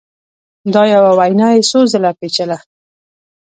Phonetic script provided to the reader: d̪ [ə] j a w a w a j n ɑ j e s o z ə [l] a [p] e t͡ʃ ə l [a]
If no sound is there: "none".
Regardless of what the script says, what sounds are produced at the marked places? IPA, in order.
ɑ, l, p, a

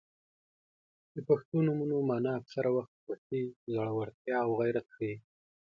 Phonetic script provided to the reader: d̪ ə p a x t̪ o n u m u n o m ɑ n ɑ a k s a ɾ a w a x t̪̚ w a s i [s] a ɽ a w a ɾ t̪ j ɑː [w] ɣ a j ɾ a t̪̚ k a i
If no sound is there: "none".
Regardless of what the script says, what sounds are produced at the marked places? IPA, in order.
z, w

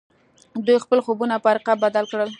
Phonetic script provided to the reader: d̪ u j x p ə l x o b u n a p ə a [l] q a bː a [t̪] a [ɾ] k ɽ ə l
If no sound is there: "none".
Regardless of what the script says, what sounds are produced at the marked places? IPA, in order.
ɾ, d̪, l

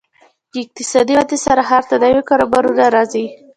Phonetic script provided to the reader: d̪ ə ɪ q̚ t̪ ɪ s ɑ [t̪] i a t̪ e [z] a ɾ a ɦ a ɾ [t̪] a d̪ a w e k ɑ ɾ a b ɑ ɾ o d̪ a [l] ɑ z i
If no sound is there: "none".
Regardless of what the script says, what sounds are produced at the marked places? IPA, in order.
d̪, s, t̪, ɾ

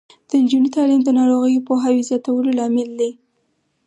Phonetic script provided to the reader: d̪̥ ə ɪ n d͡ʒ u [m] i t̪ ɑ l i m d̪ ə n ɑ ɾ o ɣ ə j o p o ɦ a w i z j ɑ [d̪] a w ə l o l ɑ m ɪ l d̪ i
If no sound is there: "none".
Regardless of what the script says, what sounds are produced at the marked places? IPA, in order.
n, t̪

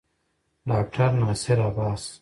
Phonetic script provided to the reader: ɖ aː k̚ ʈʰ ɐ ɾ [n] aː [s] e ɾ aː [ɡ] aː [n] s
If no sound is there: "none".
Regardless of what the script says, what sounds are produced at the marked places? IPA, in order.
n, s, b, none

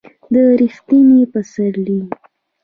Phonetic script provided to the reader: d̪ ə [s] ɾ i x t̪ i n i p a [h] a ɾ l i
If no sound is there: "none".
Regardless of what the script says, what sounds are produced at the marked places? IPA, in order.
none, s

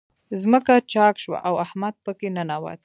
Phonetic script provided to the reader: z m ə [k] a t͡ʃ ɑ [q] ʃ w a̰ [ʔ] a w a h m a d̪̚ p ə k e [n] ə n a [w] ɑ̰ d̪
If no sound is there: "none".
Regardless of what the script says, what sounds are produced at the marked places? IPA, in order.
k, k, ʔ, n, w

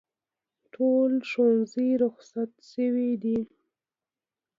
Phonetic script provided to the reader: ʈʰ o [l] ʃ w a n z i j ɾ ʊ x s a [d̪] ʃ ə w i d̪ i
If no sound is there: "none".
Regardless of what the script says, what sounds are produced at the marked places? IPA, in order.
l, t̪

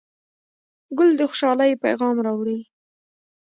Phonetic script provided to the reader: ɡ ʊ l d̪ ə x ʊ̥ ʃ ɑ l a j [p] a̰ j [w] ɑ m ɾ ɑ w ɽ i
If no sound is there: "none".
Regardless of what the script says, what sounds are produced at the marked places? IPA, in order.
p, ɣ

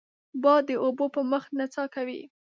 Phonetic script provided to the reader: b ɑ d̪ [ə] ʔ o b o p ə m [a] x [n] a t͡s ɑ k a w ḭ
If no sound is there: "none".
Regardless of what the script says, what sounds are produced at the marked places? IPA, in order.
ə, ə, n

